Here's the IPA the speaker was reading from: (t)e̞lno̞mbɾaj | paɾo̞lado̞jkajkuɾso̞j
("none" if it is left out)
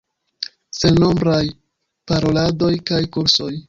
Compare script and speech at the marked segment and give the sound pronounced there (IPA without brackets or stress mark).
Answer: s